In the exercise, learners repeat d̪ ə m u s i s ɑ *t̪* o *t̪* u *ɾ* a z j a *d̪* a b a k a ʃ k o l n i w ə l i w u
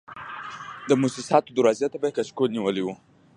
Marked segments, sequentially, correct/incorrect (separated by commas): correct, incorrect, correct, incorrect